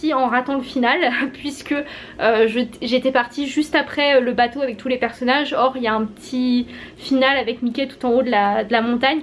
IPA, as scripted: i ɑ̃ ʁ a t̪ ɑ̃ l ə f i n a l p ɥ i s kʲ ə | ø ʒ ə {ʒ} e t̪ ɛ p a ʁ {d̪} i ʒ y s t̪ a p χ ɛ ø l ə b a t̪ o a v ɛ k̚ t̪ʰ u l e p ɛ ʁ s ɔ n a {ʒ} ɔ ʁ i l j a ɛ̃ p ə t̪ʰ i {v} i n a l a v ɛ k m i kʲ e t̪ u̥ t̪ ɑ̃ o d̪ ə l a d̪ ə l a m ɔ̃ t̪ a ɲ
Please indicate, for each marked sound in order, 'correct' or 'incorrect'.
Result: correct, incorrect, correct, incorrect

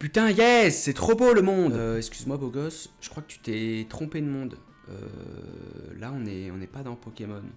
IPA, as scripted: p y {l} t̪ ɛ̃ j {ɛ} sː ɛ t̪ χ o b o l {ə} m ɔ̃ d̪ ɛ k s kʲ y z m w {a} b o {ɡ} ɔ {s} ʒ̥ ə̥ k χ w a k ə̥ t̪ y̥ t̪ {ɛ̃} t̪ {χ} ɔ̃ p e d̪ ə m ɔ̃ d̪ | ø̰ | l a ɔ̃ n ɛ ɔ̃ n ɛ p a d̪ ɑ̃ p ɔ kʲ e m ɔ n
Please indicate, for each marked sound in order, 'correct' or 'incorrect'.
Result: incorrect, correct, correct, correct, correct, correct, incorrect, correct

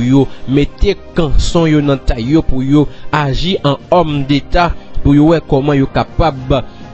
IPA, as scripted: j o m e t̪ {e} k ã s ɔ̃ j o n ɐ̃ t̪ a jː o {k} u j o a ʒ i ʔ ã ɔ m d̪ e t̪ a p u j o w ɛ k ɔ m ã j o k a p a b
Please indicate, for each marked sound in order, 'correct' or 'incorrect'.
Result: correct, incorrect

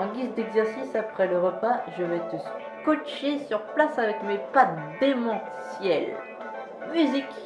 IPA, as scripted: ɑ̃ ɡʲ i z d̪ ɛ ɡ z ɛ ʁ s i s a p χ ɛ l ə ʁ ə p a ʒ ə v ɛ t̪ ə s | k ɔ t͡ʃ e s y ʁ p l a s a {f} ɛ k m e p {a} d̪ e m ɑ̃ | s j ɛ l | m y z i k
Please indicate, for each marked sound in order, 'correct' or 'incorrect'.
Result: incorrect, correct

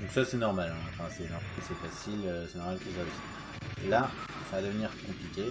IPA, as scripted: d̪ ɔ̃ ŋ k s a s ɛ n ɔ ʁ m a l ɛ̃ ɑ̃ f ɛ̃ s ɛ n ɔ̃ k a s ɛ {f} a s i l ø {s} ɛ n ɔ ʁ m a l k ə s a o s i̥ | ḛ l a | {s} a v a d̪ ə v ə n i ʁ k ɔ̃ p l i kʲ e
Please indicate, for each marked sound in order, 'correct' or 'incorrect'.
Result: correct, correct, correct

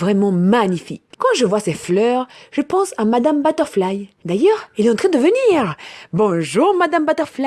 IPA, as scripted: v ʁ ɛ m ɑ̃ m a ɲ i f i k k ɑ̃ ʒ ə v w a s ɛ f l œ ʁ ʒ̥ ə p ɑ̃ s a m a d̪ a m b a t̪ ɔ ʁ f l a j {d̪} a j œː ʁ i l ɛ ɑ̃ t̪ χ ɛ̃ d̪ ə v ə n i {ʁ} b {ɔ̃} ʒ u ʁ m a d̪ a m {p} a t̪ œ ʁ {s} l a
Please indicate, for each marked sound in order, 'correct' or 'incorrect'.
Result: correct, correct, correct, incorrect, incorrect

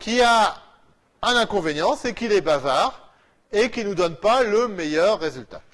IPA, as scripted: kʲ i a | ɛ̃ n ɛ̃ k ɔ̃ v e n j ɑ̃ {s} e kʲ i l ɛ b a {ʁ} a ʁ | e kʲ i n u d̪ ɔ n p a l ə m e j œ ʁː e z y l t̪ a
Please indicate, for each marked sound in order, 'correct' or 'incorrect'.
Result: correct, incorrect

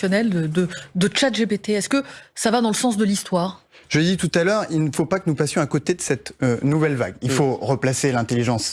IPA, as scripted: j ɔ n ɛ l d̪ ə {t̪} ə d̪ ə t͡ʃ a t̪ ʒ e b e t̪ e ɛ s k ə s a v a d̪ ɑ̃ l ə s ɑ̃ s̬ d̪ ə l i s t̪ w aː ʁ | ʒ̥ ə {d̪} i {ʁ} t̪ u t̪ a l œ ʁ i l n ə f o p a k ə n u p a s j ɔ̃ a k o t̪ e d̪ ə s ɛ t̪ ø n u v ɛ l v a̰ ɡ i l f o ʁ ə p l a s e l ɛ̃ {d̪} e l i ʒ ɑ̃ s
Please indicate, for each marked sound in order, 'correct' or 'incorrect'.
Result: incorrect, correct, incorrect, incorrect

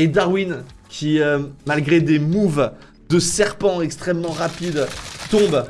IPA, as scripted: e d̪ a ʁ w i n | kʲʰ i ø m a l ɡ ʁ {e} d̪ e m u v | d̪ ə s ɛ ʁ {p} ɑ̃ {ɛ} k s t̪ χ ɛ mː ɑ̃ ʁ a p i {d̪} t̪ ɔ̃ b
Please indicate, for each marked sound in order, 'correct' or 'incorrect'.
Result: correct, correct, correct, correct

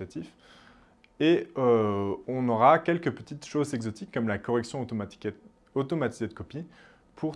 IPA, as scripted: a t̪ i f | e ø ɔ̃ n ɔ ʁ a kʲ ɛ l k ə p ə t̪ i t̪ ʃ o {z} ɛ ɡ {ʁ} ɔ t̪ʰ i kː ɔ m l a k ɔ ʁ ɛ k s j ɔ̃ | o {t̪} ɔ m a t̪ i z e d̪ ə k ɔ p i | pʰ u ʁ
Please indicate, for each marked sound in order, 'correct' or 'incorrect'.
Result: correct, incorrect, correct

